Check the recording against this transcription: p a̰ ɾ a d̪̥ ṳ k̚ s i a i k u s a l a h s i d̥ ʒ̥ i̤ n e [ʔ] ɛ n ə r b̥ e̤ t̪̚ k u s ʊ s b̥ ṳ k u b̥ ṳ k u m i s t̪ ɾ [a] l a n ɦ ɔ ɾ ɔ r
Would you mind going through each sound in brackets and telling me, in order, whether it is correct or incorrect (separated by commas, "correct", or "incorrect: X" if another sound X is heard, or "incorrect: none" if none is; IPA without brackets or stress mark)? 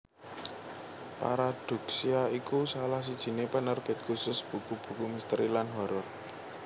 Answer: incorrect: p, incorrect: i